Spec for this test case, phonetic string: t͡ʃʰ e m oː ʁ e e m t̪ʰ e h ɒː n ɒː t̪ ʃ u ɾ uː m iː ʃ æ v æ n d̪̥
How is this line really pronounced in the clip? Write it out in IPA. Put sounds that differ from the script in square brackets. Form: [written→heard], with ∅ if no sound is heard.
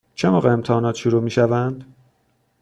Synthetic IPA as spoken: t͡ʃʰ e m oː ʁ e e m t̪ʰ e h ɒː n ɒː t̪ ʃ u ɾ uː m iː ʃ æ v æ n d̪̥